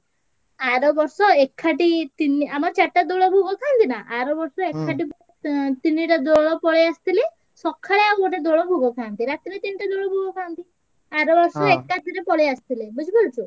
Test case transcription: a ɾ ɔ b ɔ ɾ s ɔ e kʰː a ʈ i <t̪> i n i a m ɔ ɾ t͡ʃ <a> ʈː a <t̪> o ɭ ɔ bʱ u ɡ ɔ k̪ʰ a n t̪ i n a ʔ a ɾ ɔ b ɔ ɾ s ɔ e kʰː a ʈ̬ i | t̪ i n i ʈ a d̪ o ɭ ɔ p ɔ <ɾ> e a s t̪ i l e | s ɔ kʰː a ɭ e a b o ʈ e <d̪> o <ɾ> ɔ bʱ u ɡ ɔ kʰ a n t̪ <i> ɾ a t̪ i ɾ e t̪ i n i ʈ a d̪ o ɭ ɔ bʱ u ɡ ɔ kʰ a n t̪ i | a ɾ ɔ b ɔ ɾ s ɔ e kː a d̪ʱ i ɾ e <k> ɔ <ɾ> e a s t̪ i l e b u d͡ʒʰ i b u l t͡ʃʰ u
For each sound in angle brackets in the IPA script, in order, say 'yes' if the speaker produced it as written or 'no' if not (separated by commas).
yes, yes, no, no, yes, no, yes, no, no